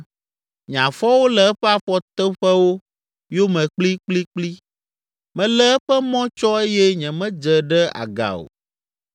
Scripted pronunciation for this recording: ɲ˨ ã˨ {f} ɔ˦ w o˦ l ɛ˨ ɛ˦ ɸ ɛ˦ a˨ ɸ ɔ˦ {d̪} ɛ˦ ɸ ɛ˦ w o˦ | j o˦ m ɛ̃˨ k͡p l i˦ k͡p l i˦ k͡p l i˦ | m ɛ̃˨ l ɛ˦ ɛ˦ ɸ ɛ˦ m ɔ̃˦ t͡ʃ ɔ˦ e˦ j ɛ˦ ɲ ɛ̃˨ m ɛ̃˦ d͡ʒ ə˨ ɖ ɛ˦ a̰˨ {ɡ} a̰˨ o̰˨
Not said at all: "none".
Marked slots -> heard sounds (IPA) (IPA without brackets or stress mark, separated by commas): f, t̪, ɡ